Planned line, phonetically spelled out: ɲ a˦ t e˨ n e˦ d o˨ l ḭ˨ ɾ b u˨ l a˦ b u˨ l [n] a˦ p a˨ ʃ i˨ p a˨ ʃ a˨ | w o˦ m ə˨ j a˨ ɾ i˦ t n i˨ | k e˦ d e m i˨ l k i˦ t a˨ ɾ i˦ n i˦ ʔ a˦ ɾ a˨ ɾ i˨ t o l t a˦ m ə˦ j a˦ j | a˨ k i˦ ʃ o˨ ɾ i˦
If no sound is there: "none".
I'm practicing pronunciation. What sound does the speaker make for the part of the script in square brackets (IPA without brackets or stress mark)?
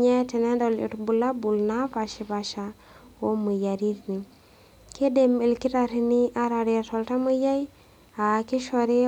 n